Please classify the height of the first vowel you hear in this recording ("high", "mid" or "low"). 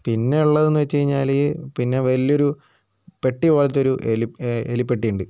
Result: high